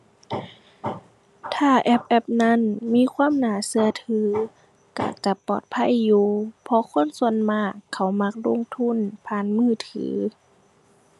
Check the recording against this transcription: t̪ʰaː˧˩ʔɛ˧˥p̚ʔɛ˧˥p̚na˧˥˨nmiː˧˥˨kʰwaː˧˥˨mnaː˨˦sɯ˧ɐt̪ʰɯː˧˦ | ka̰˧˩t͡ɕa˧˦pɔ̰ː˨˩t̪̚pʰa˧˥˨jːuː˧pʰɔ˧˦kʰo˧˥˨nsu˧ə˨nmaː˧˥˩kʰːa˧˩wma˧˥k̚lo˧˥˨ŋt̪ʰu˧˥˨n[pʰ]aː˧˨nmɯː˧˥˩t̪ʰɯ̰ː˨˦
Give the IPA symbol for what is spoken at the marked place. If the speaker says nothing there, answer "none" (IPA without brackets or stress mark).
pʰ